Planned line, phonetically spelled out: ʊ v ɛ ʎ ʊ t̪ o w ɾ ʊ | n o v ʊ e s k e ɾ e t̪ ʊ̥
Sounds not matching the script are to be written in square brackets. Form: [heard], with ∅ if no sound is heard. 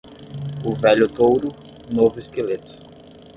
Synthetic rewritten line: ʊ v ɛ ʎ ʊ t̪ o w ɾ ʊ | n o v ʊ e s k e [l] e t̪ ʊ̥